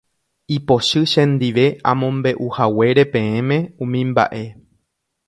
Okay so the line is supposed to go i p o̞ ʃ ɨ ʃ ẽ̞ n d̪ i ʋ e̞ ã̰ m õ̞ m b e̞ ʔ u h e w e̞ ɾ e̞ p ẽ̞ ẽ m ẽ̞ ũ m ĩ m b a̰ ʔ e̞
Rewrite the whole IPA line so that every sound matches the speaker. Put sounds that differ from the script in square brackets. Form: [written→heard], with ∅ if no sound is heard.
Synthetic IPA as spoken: i p o̞ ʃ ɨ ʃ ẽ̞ n d̪ i ʋ e̞ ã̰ m õ̞ m b e̞ ʔ u h [e→a] w e̞ ɾ e̞ p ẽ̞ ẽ m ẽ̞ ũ m ĩ m b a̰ ʔ e̞